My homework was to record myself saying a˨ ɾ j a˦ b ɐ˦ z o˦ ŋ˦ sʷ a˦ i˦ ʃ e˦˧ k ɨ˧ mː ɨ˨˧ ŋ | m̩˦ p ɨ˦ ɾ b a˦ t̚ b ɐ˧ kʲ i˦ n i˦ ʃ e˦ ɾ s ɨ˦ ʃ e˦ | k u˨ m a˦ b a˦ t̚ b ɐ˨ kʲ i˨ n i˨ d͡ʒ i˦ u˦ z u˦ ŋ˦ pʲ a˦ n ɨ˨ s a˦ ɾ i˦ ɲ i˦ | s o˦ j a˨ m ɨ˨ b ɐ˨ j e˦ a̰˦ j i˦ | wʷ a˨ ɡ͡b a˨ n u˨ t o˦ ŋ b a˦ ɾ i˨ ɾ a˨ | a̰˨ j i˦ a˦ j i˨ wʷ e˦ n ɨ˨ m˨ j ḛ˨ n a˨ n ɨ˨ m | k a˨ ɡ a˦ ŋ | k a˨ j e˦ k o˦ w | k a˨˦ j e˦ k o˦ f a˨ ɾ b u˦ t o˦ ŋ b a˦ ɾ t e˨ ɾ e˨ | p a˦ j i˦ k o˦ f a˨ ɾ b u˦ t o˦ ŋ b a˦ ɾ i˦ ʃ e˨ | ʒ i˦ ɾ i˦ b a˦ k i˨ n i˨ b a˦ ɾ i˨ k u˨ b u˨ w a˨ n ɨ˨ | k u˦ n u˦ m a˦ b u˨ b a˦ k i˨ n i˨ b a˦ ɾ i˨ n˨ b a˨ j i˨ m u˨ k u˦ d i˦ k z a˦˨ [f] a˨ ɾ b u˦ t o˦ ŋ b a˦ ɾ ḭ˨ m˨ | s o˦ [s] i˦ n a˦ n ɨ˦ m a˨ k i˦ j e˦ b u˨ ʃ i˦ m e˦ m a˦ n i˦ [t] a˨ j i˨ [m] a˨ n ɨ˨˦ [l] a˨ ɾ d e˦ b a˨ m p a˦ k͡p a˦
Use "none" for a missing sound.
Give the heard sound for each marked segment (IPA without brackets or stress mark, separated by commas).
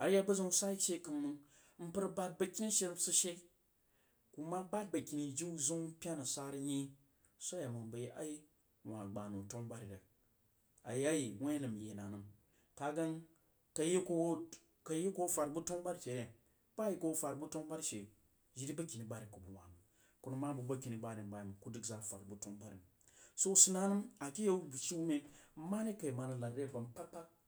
f, s, k, m, l